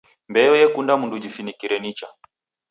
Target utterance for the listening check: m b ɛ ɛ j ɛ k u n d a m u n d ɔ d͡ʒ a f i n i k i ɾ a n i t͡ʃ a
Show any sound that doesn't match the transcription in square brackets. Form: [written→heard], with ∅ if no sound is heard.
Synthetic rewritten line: m b ɛ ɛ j ɛ k u n d a m u n d [ɔ→u] d͡ʒ [a→i] f i n i k i ɾ [a→ɛ] n i t͡ʃ a